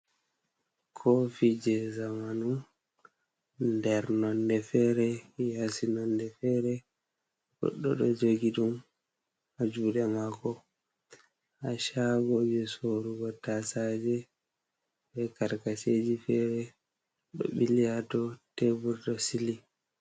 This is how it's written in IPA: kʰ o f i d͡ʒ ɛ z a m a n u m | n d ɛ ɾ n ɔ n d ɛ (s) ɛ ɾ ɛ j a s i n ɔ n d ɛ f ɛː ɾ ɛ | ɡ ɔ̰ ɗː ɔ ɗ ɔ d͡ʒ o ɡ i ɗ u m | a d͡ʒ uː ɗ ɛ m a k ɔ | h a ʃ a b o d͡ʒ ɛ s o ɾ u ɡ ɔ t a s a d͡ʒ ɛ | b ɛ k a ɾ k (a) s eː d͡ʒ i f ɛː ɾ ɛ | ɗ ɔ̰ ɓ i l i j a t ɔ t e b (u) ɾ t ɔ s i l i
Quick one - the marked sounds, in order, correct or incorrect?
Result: incorrect, correct, correct

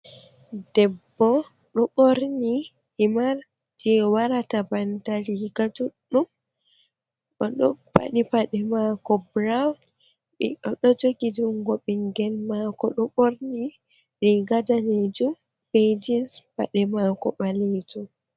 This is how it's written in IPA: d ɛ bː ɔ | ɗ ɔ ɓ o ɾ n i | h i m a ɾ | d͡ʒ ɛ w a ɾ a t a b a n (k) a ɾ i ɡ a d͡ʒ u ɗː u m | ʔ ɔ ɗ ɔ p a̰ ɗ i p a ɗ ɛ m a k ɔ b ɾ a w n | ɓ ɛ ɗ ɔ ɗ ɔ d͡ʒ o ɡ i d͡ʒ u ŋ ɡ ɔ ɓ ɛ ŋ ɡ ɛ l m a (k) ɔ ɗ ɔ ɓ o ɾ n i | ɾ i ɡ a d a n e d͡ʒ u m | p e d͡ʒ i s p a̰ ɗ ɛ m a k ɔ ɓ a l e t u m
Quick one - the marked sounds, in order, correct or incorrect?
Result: incorrect, correct

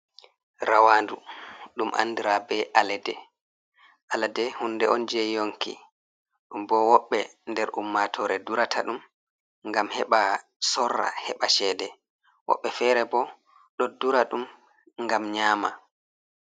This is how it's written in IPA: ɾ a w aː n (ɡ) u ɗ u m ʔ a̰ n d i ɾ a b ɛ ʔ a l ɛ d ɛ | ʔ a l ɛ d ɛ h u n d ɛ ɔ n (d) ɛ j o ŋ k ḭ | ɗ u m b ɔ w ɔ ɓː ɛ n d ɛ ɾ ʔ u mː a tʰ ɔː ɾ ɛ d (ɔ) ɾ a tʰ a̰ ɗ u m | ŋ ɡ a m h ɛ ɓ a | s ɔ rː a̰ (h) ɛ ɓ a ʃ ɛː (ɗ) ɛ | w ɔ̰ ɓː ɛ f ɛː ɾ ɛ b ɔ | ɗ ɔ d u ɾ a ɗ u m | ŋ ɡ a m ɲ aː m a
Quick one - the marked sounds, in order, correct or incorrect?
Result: incorrect, incorrect, incorrect, correct, incorrect

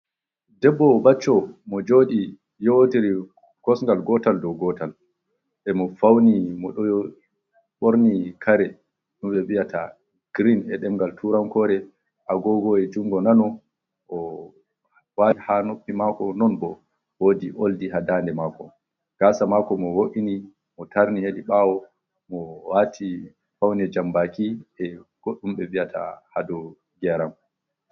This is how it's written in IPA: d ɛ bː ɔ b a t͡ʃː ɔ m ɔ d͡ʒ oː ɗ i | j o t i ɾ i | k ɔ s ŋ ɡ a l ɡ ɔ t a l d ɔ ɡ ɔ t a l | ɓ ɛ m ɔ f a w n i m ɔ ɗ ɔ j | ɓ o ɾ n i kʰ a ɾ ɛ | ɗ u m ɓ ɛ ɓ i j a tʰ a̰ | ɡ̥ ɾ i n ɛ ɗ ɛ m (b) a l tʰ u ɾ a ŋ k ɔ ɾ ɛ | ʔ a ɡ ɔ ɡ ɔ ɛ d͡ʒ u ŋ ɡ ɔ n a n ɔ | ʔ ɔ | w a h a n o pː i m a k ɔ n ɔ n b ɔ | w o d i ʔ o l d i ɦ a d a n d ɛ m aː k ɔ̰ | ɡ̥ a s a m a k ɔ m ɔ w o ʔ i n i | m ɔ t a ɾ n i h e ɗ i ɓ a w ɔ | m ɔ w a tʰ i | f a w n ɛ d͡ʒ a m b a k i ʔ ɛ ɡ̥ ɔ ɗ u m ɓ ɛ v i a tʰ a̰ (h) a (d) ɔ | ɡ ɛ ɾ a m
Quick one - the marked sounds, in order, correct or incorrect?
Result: incorrect, correct, correct

